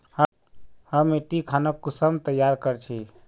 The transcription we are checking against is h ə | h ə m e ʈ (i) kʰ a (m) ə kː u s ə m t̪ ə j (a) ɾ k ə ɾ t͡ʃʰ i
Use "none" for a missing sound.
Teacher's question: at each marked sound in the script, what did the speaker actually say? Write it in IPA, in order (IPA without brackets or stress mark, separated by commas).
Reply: i, n, a